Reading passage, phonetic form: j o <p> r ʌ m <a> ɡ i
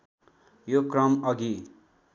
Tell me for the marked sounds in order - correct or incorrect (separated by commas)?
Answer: incorrect, incorrect